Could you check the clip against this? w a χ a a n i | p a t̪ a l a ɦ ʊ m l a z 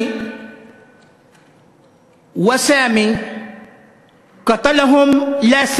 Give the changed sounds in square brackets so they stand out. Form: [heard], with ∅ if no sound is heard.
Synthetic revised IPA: w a [s] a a [m] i | [k] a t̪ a l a ɦ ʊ m l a [s]